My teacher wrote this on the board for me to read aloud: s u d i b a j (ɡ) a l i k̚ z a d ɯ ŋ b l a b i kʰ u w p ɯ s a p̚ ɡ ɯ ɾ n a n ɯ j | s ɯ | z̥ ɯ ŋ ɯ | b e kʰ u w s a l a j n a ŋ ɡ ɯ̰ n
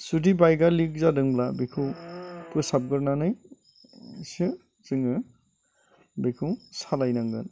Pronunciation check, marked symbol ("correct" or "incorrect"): correct